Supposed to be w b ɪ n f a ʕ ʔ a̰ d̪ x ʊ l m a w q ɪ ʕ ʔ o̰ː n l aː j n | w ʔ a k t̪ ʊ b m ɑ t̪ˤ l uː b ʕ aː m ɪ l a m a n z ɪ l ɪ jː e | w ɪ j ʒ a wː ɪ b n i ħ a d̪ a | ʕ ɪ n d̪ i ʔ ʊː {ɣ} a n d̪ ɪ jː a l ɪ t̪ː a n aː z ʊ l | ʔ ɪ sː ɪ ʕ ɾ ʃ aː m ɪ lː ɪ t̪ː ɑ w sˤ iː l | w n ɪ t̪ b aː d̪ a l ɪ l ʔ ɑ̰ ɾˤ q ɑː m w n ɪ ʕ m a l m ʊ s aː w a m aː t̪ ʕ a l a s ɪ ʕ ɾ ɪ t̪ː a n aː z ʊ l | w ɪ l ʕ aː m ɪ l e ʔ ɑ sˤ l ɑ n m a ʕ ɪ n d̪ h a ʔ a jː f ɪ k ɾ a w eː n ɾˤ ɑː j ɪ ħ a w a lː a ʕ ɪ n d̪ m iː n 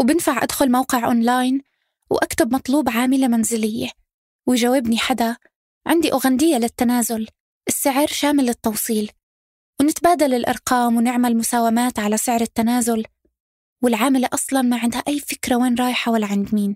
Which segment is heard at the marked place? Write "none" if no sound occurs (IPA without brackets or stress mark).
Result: ɣ